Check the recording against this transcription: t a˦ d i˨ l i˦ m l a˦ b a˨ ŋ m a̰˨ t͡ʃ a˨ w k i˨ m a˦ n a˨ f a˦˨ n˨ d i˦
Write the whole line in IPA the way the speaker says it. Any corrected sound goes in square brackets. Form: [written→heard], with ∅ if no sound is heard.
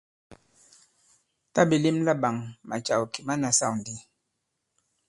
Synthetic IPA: t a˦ [d→b] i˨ l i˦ m l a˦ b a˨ ŋ m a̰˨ t͡ʃ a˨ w k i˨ m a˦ n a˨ [f→s] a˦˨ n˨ d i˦